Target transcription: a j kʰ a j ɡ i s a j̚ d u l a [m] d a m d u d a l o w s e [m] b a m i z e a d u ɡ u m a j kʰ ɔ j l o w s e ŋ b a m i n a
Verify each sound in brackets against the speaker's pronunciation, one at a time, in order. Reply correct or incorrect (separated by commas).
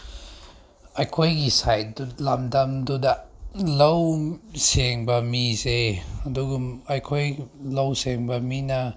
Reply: correct, incorrect